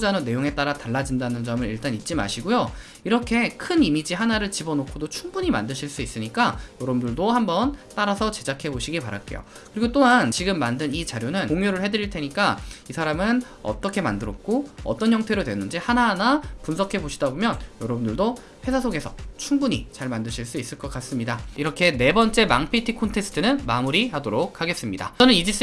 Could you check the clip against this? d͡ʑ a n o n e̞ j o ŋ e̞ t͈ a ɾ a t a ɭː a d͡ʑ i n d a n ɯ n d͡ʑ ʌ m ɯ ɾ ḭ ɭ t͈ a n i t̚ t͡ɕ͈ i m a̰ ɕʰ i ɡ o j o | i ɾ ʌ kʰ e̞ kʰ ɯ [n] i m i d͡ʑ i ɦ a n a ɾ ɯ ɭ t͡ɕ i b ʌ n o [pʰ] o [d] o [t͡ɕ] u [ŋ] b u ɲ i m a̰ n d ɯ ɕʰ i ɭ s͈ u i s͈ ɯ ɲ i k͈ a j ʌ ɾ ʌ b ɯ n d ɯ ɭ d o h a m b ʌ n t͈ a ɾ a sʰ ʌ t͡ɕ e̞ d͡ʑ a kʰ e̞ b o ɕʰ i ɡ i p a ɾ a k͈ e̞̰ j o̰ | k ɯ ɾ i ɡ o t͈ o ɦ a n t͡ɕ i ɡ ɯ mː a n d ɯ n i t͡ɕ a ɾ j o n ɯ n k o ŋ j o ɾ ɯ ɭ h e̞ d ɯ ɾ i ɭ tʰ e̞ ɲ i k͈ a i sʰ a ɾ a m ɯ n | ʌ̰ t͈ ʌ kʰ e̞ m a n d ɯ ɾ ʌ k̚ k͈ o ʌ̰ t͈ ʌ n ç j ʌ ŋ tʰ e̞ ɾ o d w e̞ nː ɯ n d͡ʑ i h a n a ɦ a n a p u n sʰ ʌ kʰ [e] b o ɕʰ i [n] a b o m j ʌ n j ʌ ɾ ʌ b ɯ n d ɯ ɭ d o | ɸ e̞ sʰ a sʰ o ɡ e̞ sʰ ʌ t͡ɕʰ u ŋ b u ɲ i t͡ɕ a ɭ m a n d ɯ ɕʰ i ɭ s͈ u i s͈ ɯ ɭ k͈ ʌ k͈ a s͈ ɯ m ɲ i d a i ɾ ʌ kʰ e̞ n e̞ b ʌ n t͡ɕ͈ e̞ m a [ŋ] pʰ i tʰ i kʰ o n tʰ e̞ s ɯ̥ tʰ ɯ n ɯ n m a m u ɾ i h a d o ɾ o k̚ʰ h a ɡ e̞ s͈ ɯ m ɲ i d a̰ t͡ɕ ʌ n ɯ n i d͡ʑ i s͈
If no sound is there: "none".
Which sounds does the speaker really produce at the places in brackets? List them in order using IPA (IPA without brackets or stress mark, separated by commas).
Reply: n, kʰ, d, t͡ɕʰ, ŋ, e, d, ŋ